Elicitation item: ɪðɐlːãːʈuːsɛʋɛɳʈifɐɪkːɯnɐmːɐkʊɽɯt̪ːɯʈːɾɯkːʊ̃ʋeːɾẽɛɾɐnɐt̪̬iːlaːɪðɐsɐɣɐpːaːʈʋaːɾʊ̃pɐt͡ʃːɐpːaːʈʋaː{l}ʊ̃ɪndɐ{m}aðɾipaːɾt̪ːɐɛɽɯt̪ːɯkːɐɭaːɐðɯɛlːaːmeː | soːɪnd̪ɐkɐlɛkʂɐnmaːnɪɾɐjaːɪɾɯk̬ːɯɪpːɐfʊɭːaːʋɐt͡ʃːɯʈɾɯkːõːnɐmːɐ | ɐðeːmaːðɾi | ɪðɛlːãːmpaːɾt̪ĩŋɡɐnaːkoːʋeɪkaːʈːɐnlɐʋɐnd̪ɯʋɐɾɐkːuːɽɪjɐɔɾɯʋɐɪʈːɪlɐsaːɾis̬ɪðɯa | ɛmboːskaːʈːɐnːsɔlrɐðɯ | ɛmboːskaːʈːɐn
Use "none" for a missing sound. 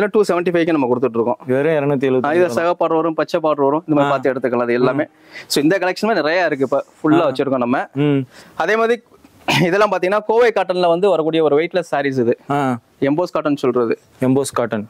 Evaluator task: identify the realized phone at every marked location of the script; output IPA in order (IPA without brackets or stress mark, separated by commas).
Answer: ɾ, m